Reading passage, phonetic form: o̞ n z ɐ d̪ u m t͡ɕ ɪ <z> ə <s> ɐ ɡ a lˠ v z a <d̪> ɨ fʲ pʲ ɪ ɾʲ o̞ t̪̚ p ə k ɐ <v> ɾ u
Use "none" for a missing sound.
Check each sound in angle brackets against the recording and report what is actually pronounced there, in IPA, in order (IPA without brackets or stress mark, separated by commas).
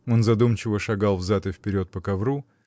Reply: v, ʂ, t̪, v